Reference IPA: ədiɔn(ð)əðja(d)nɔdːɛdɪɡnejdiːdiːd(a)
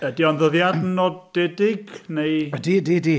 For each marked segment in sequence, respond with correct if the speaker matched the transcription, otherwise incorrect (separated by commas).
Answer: correct, correct, incorrect